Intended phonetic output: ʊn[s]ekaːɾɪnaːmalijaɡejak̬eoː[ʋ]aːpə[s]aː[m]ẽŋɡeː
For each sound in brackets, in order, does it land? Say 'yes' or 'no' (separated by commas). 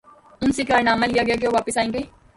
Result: yes, yes, yes, no